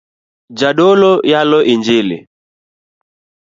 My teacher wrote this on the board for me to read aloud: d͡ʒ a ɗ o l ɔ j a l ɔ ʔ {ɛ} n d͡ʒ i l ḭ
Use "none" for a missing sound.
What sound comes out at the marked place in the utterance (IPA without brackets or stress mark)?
i